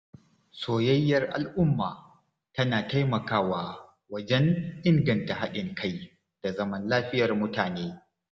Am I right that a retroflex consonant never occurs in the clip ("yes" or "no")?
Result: yes